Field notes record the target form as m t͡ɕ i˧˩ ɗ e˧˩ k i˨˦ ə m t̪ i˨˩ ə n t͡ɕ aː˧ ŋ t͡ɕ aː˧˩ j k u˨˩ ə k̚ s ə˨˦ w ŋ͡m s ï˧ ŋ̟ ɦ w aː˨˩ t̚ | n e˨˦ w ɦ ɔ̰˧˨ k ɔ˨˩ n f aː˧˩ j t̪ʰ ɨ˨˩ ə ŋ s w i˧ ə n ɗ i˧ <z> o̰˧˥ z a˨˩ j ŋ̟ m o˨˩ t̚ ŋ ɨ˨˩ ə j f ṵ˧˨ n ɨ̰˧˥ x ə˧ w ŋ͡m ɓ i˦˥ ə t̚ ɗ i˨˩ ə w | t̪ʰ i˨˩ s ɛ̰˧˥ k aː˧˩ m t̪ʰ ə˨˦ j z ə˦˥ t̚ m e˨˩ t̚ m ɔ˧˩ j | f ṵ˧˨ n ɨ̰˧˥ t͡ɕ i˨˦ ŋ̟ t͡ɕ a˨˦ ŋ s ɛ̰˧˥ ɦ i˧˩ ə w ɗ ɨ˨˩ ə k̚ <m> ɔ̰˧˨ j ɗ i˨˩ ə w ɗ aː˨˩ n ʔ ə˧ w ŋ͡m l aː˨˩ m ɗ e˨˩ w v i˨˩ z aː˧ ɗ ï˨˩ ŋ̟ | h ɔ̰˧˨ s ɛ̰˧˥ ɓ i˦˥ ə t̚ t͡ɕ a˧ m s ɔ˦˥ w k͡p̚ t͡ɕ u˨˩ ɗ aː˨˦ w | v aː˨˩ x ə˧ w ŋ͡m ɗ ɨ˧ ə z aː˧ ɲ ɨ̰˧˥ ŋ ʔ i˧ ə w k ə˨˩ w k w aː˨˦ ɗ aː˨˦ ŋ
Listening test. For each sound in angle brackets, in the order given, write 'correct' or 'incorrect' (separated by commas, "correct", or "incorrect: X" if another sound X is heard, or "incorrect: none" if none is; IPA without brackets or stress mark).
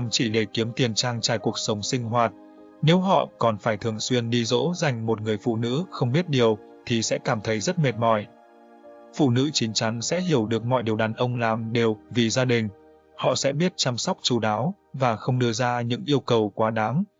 correct, correct